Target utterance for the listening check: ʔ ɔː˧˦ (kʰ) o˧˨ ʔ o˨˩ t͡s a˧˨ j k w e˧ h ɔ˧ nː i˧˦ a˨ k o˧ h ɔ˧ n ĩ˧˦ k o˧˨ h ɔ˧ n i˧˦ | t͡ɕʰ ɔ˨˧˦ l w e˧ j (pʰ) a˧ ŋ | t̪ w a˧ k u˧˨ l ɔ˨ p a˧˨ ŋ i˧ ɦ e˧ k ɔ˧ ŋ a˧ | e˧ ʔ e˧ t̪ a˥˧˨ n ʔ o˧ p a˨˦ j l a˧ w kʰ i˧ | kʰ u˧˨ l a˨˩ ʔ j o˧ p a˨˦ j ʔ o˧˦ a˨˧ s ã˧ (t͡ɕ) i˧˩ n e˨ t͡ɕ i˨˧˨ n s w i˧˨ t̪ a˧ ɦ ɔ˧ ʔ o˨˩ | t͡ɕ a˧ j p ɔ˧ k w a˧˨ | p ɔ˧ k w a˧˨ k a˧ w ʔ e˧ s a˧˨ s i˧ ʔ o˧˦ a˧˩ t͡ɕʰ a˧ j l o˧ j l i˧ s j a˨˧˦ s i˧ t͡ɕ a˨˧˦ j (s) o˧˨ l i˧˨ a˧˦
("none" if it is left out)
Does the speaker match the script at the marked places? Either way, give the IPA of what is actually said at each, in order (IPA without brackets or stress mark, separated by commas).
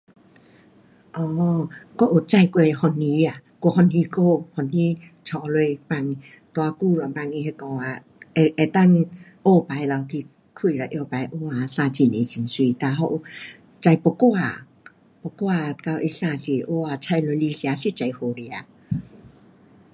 k, p, t͡ɕ, h